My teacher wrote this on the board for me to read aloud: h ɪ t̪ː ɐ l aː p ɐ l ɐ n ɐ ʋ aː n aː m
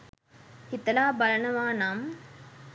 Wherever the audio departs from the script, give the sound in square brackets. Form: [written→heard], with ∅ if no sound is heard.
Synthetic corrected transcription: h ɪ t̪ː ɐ l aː [p→b] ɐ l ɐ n ɐ ʋ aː n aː m

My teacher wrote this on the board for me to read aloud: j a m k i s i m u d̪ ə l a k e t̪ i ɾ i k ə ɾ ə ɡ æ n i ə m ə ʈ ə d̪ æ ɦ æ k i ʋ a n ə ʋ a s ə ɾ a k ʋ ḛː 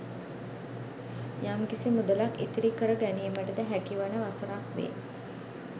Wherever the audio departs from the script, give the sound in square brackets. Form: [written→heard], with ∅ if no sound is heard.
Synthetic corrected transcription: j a m k i s i m u d̪ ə l a k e t̪ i ɾ i k ə ɾ ə ɡ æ n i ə m ə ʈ ə d̪ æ ɦ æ k i ʋ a n ə ʋ a s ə ɾ a k ʋ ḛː

